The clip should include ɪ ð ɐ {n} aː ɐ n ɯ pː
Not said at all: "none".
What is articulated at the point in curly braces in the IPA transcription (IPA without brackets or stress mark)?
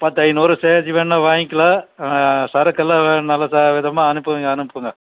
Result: m